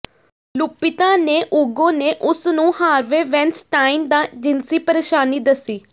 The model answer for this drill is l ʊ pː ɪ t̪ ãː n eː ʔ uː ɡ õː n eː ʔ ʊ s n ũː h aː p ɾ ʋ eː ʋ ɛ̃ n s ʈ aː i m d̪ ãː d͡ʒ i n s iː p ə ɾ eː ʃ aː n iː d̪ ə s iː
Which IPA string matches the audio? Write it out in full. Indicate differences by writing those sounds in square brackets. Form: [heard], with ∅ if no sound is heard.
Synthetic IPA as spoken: l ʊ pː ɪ t̪ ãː n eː ʔ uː ɡ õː n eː ʔ ʊ s n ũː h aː [∅] ɾ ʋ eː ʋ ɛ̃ n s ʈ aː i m d̪ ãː d͡ʒ [ɪ] n s iː p ə ɾ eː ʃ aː n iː d̪ ə s iː